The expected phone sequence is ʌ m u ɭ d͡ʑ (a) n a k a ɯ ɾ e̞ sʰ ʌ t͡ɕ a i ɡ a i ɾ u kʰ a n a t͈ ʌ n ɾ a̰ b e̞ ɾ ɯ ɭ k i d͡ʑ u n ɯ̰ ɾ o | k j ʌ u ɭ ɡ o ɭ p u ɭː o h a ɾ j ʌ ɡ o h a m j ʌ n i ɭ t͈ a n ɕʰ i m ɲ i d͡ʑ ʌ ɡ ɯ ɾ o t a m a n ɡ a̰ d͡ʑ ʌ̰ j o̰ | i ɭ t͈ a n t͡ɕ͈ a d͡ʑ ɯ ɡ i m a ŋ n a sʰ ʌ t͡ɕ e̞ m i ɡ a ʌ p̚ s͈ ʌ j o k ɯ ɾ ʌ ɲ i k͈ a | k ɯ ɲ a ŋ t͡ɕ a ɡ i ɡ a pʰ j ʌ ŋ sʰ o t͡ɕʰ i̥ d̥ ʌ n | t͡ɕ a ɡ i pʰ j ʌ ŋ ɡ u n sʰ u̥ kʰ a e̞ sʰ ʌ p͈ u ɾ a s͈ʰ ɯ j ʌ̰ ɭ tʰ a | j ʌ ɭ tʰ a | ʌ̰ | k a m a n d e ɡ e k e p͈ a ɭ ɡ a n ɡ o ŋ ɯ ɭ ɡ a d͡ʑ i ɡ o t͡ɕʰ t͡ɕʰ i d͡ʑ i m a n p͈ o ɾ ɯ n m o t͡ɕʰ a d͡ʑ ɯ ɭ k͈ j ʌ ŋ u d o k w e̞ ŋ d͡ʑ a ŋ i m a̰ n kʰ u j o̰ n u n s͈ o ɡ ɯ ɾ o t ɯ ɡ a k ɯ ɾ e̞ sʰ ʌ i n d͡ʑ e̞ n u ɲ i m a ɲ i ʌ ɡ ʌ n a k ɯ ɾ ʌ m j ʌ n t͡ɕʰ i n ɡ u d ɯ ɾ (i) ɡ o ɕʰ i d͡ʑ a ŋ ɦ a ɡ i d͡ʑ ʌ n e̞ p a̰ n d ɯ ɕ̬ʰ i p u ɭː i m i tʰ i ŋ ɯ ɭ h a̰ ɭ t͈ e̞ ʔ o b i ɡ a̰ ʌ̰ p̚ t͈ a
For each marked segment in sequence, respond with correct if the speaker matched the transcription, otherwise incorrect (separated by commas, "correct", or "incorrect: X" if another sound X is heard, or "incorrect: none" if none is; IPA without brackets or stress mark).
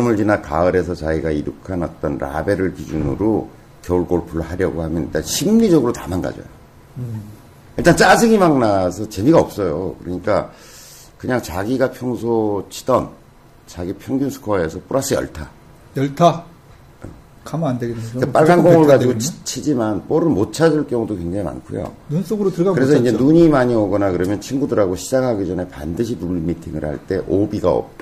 incorrect: i, incorrect: a